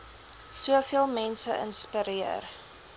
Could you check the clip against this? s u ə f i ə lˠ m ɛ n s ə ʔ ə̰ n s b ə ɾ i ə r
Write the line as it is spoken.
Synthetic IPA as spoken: s u ə f i ə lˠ m ɛ n s ə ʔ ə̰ n s p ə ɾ i ə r